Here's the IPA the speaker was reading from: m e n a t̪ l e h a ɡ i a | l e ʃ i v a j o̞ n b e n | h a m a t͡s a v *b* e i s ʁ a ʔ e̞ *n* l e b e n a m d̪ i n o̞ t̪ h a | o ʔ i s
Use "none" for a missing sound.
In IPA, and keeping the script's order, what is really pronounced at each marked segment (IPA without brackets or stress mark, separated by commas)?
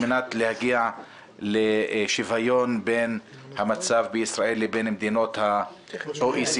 b, none